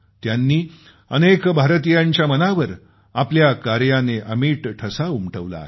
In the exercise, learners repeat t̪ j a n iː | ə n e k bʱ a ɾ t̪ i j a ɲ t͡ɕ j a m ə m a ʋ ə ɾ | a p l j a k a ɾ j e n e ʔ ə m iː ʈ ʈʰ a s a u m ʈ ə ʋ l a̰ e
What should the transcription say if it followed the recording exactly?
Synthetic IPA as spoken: t̪ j a nː iː | ə n e k bʱ a ɾ t̪ i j a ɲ t͡ɕ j a m ə n a ʋ ə ɾ | a p l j a k a ɾ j a n e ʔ ə m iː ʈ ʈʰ ə s a u m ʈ ə ʋ l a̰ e